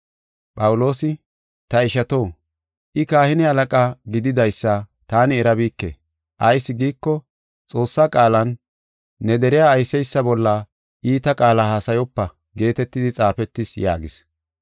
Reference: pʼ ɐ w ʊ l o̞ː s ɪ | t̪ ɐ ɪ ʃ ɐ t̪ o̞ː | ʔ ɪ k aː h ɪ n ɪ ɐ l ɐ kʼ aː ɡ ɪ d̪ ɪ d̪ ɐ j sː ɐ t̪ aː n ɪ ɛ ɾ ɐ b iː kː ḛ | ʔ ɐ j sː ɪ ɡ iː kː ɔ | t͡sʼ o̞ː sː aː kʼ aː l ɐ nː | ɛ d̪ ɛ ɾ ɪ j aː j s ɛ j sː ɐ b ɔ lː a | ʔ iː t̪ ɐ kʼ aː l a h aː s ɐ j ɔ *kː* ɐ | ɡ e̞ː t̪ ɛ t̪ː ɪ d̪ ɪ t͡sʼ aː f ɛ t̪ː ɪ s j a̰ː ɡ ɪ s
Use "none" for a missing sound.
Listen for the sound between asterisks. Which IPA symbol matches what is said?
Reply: pː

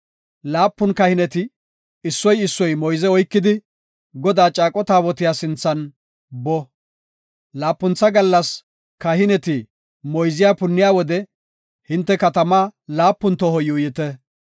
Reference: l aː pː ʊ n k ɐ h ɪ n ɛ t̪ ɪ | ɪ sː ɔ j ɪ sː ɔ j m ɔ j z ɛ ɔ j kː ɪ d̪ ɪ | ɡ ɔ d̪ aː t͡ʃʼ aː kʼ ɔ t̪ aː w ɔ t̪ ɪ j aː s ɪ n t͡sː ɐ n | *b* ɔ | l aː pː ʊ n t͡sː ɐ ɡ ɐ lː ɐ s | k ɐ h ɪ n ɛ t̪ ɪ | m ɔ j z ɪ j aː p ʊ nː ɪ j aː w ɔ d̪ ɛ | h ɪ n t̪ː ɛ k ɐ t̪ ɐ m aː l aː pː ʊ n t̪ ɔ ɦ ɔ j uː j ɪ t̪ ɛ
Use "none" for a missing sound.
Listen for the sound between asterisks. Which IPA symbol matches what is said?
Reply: b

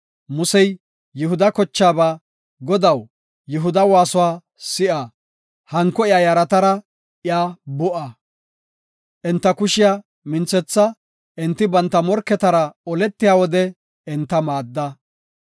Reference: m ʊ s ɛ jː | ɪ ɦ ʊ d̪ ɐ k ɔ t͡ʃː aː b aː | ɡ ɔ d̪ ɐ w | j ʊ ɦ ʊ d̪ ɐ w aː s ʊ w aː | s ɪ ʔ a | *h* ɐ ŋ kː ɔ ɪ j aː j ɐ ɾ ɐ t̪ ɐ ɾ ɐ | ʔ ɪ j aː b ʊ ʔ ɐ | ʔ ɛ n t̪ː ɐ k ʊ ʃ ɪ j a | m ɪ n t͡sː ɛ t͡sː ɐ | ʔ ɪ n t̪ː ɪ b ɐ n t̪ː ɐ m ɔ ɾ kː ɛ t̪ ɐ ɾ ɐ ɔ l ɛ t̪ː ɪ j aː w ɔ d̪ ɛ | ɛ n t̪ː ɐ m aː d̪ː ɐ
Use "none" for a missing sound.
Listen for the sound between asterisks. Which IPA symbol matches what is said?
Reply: h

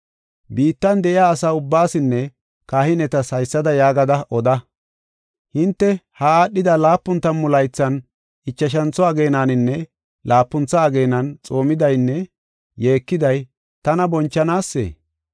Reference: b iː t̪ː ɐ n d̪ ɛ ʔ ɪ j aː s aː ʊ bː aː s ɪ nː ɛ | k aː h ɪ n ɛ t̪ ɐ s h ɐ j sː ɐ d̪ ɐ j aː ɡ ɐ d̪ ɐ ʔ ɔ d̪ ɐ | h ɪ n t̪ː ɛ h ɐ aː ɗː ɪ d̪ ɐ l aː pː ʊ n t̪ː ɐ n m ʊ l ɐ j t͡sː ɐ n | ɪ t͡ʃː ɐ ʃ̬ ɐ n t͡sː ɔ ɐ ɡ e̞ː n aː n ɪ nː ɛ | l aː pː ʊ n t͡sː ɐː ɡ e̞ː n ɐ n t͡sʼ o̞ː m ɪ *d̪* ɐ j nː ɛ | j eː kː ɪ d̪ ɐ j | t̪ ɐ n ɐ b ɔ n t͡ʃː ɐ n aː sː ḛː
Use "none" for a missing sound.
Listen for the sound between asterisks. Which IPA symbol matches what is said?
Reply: d̪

